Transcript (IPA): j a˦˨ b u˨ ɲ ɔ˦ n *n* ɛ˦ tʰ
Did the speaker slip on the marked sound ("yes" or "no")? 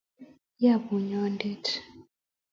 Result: yes